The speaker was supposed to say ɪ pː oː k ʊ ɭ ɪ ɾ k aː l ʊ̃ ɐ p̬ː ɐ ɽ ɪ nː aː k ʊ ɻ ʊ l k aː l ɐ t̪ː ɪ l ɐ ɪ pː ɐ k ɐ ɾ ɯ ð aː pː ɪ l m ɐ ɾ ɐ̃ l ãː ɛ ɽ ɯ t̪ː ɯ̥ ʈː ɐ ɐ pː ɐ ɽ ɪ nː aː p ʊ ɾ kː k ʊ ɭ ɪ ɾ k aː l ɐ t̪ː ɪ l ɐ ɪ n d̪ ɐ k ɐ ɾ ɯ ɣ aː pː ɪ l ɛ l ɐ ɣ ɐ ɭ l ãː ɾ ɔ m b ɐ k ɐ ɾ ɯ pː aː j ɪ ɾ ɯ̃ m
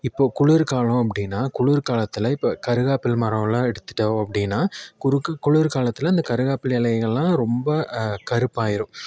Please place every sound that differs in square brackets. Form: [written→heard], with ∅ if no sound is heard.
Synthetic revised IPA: ɪ pː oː k ʊ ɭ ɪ ɾ k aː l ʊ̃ ɐ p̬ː ɐ ɽ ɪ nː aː k ʊ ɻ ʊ [l→ɾ] k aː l ɐ t̪ː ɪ l ɐ ɪ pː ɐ k ɐ ɾ ɯ [ð→ɣ] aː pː ɪ l m ɐ ɾ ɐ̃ l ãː ɛ ɽ ɯ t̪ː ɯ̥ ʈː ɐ ɐ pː ɐ ɽ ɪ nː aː [p→k] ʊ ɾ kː k ʊ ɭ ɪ ɾ k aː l ɐ t̪ː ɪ l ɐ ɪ n d̪ ɐ k ɐ ɾ ɯ ɣ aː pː ɪ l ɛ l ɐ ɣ ɐ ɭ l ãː ɾ ɔ m b ɐ k ɐ ɾ ɯ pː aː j ɪ ɾ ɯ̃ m